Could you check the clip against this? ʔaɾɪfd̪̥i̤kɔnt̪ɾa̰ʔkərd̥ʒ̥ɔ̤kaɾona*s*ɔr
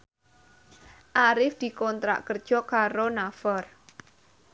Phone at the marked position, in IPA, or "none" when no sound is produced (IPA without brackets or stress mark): f